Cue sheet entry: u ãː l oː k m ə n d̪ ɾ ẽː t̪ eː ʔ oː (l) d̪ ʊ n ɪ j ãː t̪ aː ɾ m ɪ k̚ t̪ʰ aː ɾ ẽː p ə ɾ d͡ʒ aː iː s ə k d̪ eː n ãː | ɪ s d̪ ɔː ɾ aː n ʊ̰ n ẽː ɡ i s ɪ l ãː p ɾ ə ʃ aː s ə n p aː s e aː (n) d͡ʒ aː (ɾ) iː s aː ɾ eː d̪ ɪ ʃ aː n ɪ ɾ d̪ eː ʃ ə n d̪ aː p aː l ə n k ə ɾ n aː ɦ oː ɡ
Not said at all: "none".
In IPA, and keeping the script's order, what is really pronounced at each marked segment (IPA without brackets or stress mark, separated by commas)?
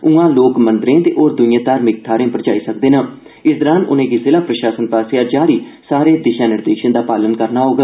ɾ, none, ɾ